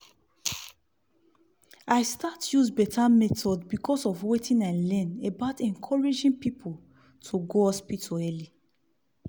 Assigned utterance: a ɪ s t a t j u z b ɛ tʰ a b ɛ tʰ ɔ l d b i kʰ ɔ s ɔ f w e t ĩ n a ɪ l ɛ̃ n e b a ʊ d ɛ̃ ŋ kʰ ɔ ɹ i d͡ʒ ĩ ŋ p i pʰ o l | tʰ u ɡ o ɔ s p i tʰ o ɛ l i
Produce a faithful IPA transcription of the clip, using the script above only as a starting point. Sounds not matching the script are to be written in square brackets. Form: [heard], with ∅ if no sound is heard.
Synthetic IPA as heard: a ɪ s t a t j u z b ɛ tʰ a [m] ɛ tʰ ɔ [∅] d b i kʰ ɔ s ɔ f w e t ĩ n a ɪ l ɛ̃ n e b a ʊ [t] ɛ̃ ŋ kʰ ɔ ɹ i d͡ʒ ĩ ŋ p i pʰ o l | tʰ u ɡ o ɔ s p i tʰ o ɛ l i